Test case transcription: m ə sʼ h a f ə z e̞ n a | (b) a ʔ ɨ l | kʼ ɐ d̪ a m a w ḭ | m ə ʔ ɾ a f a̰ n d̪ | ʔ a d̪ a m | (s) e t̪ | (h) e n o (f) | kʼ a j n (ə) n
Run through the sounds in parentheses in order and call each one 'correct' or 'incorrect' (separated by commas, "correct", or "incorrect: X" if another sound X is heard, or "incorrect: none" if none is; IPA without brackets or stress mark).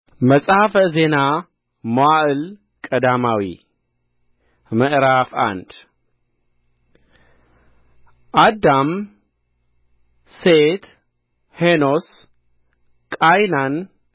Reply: incorrect: m, correct, correct, incorrect: s, incorrect: a